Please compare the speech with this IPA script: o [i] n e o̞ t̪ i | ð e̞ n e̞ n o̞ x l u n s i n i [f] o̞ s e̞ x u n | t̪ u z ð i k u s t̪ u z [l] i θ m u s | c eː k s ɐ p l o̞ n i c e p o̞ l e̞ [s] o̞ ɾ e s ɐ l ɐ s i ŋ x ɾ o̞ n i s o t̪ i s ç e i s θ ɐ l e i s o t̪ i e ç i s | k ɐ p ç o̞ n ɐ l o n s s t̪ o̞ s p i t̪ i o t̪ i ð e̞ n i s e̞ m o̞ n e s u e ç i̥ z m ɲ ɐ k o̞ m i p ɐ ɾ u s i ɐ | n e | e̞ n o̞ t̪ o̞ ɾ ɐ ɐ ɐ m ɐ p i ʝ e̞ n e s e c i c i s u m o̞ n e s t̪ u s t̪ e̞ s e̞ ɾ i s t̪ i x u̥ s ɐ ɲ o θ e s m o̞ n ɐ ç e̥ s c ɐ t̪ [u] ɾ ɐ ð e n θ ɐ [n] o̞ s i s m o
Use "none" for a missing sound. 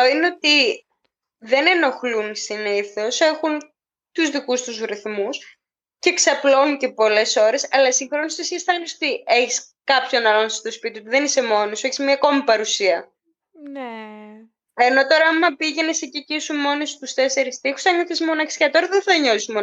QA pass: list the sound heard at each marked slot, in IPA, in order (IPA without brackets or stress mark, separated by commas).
i, θ, ɾ, s, o, ɲ